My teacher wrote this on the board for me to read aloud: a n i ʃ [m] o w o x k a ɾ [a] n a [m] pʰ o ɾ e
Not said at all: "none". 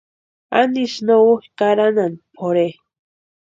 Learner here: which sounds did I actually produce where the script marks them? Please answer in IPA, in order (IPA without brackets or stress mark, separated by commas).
n, a, n